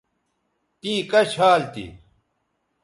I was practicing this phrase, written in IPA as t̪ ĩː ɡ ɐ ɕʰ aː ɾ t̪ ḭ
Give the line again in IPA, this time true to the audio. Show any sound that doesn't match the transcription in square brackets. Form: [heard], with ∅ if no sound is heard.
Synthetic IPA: t̪ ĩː [k] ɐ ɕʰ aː [l] t̪ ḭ